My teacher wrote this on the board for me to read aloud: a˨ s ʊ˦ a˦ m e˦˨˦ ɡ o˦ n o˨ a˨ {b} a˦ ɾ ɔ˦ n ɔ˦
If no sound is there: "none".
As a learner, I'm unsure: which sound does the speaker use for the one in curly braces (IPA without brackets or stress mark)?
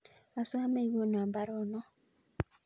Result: b